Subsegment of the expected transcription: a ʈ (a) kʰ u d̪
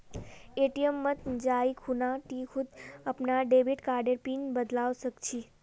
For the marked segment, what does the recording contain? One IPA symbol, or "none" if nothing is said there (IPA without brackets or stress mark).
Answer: i